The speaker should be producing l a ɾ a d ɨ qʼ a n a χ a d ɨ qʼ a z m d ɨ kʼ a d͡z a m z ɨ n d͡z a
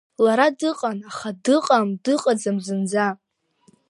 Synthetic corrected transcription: l a ɾ a d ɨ qʼ a n a χ a d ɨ qʼ a m d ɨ qʼ a d͡z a m z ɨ n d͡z a